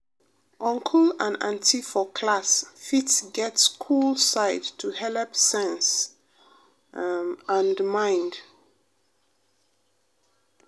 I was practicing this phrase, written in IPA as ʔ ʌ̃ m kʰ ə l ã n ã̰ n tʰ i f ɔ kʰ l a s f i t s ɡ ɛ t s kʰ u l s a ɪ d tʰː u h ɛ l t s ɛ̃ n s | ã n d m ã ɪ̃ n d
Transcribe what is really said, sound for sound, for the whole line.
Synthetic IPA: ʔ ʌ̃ ŋ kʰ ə l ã n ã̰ n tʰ i f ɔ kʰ l a s f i t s ɡ ɛ t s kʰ u l s a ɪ d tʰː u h ɛ l p s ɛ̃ n s | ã n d m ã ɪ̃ n d